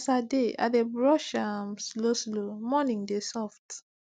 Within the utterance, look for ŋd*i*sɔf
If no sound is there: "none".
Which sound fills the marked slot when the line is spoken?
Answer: e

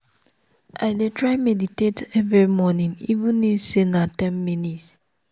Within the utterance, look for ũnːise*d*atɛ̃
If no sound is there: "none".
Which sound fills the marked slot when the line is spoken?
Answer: n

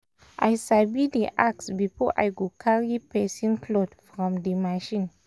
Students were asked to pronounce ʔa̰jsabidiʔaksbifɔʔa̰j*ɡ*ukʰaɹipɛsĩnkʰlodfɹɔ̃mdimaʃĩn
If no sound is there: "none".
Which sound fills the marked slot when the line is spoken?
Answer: ɡ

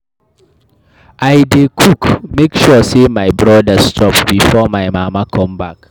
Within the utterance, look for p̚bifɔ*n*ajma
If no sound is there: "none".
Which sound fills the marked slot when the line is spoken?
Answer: m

